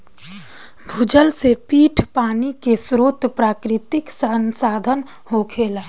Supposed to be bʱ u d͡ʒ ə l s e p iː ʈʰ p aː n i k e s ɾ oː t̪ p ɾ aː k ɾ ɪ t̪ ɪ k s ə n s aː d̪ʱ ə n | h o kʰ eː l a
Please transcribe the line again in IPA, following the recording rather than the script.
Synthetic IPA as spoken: bʱ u d͡ʒ ə l s e p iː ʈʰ p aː n i k e s ɾ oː t̪ p ɾ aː k ɾ ɪ t̪ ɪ k s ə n s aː d̪ʱ ə n | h o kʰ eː l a